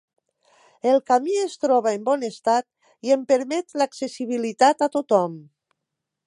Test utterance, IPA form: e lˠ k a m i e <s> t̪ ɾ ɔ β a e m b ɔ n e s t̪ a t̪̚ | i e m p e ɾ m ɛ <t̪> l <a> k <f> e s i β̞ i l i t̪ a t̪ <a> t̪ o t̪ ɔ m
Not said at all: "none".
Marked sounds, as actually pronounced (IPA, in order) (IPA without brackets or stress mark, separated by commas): s, t̪, a, s, a